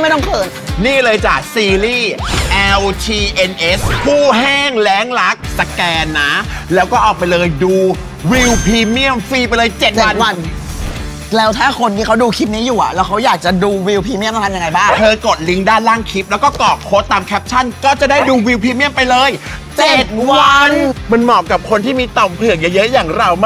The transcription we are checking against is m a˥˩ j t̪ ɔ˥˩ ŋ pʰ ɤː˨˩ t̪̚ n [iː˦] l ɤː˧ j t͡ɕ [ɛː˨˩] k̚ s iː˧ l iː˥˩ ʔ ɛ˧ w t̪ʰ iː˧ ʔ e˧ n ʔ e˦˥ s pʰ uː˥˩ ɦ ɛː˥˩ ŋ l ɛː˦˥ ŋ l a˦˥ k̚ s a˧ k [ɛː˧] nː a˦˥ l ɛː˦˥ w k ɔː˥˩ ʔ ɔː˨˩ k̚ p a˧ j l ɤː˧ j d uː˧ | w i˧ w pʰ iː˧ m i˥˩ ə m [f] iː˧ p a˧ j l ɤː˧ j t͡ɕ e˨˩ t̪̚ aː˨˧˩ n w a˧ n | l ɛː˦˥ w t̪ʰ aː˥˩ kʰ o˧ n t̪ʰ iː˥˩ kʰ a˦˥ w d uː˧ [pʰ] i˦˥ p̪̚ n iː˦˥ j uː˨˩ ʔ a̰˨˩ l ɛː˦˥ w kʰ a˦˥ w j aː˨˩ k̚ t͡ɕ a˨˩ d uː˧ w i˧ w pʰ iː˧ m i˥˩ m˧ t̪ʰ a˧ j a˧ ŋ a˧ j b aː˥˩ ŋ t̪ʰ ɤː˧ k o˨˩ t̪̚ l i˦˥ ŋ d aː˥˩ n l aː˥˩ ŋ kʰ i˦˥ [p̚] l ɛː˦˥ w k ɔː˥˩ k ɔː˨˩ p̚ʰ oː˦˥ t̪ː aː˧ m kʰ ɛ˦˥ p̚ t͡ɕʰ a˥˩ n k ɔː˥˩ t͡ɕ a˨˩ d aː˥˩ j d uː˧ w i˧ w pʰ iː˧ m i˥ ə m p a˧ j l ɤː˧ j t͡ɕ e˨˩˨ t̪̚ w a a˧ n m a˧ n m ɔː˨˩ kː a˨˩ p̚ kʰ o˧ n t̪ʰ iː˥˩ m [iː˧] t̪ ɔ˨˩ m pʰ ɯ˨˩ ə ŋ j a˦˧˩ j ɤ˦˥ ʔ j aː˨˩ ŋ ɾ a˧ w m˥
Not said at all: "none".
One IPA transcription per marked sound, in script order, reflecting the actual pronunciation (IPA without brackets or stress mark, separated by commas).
iː˥˩, aː˨˩, ɛː˧, f, kʰ, p̚, iː˧